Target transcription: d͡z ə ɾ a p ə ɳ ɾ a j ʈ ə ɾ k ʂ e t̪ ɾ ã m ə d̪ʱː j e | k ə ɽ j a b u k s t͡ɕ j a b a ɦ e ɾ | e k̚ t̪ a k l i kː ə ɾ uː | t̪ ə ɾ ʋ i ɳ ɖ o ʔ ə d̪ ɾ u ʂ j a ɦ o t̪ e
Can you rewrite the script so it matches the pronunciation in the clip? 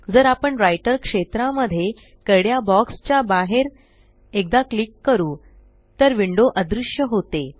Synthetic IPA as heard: d͡z ə ɾ a p ə ɳ ɾ a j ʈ ə ɾ k ʂ e t̪ ɾ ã m ə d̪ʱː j e | k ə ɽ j a b ɔ k s t͡ɕ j a b a ɦ e ɾ | e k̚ d̪ a k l i kː ə ɾ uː | t̪ ə ɾ ʋ i ɳ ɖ o ʔ ə d̪ ɾ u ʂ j ə ɦ o t̪ e